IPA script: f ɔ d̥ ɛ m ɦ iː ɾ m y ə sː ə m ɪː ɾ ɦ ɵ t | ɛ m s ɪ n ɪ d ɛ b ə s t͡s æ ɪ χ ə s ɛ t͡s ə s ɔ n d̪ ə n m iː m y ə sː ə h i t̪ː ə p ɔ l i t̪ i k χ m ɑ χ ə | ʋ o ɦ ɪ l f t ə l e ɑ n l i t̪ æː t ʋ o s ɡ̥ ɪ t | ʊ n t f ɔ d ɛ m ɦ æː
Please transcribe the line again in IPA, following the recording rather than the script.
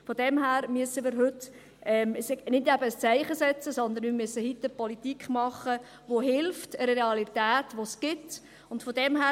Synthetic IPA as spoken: f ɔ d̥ ɛ m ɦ æː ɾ m y ə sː ə m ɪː ɾ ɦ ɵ t | ɛ m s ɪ n ɪ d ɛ b ə s t͡s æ ɪ χ ə s ɛ t͡s ə s ɔ n d̪ ə n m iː m y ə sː ə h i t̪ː ə p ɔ l i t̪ i k χ m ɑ χ ə | ʋ o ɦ ɪ l f t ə ɾ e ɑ l i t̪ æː t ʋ o s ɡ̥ ɪ t | ʊ n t f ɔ d ɛ m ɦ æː